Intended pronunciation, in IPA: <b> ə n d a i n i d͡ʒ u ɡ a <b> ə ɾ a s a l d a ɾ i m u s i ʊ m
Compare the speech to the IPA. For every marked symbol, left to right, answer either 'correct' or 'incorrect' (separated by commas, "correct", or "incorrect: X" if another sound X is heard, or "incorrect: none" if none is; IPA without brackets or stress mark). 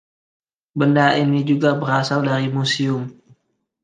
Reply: correct, correct